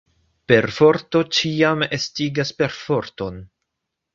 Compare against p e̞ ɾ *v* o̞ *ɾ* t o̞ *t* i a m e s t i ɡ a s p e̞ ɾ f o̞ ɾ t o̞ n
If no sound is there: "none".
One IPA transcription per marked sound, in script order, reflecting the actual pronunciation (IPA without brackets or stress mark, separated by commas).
f, ɾ, t͡ʃ